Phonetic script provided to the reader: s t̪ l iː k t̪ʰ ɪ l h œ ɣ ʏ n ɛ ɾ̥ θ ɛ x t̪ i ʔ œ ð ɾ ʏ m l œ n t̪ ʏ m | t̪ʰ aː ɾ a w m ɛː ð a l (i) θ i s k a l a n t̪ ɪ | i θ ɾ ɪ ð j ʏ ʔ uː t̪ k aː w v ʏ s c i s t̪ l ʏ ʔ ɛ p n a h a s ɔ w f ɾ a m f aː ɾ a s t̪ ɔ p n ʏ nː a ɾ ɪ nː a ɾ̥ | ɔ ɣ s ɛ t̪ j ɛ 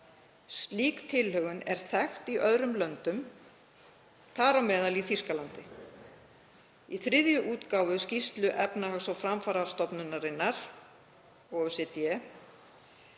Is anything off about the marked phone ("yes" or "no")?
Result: no